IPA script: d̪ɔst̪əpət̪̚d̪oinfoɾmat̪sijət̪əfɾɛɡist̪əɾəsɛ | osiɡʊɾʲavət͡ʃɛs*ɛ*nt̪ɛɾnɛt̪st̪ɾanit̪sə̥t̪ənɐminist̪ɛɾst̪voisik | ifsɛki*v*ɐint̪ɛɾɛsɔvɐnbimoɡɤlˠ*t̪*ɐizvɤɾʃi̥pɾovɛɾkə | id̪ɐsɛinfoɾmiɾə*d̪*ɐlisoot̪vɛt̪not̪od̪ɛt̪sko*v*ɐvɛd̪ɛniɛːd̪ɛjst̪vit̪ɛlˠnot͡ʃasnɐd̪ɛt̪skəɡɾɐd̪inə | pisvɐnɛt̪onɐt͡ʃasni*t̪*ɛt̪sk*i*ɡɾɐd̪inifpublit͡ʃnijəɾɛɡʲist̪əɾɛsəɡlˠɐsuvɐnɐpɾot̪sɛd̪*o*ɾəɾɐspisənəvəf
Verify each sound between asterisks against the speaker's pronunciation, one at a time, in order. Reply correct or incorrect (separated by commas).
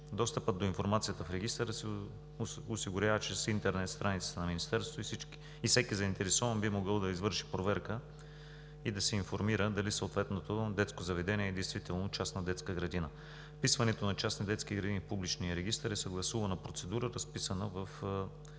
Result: incorrect, incorrect, incorrect, correct, incorrect, incorrect, correct, incorrect